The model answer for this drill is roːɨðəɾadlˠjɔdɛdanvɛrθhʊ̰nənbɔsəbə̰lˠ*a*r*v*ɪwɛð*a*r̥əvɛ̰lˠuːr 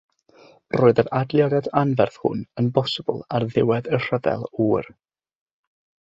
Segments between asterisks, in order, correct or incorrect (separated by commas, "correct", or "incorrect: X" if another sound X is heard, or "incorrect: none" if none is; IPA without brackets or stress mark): correct, incorrect: ð, incorrect: ə